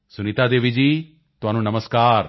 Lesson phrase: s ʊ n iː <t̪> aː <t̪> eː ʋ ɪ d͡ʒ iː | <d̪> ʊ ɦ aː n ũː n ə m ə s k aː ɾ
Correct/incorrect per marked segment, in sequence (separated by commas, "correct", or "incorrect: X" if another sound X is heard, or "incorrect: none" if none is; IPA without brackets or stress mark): correct, incorrect: d̪, incorrect: t̪